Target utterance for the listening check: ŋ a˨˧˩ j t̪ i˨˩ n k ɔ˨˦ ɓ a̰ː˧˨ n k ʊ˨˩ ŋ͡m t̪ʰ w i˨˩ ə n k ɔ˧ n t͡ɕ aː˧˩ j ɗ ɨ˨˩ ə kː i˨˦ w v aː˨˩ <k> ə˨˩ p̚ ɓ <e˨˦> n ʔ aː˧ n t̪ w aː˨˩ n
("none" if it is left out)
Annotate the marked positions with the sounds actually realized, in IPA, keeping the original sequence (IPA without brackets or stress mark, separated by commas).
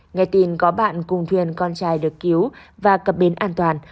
k, e˨˦